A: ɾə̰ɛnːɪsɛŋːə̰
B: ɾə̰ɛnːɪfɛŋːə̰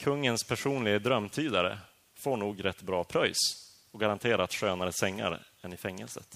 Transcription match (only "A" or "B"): B